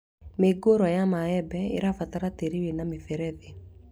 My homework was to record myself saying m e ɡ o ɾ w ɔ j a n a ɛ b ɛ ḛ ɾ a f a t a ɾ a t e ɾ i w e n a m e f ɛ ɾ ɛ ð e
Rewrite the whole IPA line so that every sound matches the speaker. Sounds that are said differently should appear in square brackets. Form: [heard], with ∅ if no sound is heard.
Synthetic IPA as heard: m e ɡ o ɾ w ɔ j a [m] a ɛ b ɛ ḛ ɾ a f a t a ɾ a t e ɾ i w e n a m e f ɛ ɾ ɛ ð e